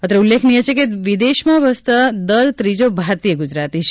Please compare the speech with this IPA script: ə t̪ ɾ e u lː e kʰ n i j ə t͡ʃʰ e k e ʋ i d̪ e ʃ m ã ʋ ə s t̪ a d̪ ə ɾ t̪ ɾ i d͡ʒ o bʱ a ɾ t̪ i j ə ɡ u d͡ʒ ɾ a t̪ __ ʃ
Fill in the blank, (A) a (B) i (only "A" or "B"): B